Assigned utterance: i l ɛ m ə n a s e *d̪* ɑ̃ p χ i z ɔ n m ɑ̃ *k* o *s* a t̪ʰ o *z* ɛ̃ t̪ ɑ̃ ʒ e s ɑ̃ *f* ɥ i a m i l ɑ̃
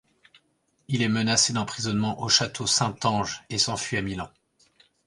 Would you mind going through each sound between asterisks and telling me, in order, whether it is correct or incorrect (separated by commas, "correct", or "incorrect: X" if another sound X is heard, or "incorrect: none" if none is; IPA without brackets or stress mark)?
correct, incorrect: ʔ, incorrect: ʃ, incorrect: s, correct